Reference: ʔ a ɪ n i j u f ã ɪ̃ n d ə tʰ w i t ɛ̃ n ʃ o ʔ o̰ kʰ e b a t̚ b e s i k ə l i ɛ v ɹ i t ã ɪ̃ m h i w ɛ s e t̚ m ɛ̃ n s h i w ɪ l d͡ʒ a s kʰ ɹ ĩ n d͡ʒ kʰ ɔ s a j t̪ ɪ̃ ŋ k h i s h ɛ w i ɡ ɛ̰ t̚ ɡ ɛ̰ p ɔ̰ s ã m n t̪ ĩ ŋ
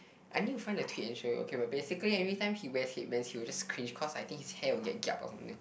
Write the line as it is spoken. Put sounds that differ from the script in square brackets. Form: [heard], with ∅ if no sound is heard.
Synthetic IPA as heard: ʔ a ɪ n i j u f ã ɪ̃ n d ə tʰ w i t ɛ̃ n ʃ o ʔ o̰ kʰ e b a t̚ b e s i k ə l i ɛ v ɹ i t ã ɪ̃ m h i w ɛ s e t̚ m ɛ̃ n s h i w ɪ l d͡ʒ a s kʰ ɹ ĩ n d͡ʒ kʰ ɔ s a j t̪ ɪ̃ ŋ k h i s h ɛ w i ɡ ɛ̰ t̚ ɡ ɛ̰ p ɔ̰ s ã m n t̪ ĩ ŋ